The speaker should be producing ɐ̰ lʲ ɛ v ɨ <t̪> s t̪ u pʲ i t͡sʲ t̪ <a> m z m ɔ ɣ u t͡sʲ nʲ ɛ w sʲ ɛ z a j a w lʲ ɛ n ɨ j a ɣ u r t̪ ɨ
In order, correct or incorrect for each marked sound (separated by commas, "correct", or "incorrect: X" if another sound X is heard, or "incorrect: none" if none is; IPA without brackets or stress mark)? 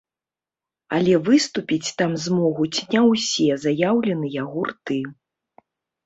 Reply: incorrect: none, correct